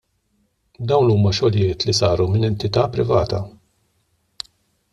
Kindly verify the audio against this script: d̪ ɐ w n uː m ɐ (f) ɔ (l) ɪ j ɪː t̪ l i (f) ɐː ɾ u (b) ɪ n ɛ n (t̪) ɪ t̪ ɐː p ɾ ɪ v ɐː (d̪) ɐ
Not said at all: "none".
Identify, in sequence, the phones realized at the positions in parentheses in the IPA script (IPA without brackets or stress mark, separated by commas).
ʃ, l, s, m, t̪, t̪